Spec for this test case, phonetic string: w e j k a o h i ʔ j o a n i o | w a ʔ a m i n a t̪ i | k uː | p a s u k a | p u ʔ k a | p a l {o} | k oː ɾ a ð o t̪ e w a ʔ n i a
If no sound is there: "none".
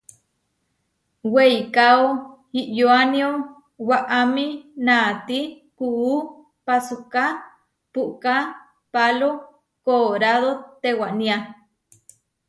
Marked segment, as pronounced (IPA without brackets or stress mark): o